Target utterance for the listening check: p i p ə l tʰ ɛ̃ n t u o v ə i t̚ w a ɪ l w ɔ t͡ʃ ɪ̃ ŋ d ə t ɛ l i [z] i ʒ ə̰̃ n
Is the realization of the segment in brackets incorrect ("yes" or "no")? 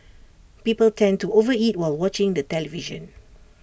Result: yes